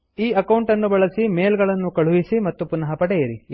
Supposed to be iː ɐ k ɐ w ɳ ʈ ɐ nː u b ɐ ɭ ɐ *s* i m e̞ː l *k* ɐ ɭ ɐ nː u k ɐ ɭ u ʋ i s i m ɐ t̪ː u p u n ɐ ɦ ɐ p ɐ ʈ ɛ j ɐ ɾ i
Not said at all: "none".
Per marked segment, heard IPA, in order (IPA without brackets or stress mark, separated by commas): s, ɡ